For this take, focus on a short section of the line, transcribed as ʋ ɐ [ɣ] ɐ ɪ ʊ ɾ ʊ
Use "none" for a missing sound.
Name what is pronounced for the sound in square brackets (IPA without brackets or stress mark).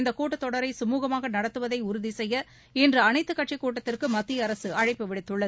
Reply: ð